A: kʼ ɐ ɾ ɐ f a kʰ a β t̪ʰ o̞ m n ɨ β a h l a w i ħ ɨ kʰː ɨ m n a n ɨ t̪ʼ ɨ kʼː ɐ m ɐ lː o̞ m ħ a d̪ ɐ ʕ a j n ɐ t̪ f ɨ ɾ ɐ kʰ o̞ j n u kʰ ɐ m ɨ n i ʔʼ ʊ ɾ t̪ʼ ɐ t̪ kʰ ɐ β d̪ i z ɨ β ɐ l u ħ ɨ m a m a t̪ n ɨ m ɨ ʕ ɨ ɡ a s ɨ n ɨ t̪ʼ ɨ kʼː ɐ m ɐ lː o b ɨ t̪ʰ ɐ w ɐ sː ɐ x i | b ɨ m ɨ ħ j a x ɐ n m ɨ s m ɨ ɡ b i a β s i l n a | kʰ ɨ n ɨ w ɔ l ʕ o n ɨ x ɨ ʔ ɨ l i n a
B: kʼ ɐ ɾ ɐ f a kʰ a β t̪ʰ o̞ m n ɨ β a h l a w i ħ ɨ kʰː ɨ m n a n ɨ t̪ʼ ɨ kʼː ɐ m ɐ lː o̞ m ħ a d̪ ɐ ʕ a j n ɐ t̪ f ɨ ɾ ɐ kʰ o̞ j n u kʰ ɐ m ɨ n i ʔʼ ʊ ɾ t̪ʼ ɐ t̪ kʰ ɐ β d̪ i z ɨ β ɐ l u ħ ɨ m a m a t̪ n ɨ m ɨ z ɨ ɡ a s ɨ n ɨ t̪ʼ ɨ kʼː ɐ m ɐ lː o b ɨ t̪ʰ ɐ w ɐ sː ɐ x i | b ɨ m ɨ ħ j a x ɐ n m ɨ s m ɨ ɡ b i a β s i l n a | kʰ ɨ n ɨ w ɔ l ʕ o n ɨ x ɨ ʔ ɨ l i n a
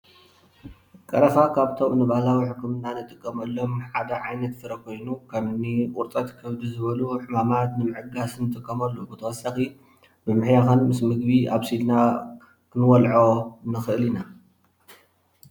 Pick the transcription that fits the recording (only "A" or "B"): A